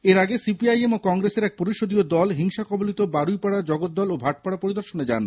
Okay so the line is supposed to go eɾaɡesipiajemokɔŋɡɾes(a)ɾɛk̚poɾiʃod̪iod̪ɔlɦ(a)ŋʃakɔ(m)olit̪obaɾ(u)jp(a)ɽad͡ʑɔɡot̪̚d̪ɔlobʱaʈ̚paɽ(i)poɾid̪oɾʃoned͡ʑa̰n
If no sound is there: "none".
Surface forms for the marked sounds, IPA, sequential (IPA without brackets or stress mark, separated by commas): e, i, b, u, a, a